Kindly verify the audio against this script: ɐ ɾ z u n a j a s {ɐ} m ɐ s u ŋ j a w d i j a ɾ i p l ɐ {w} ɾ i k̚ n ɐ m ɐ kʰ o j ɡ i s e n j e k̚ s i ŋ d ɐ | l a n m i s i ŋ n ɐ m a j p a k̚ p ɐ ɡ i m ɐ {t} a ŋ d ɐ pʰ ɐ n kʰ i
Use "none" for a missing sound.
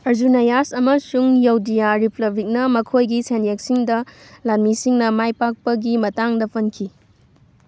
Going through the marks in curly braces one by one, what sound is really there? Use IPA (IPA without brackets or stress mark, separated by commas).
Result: ɐ, b, t